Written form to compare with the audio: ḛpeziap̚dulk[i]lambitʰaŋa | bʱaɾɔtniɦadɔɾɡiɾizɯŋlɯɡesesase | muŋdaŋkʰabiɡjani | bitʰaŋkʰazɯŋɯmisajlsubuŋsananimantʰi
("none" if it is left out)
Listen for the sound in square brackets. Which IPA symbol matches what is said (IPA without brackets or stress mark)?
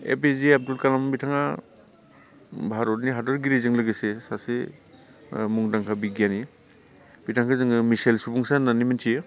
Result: a